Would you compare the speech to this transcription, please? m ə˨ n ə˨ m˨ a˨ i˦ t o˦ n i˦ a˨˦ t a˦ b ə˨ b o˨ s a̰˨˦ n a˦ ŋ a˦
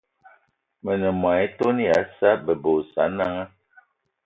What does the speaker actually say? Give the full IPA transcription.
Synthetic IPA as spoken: m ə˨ n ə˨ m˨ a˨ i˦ t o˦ n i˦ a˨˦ s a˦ b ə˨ b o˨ s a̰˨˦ n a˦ ŋ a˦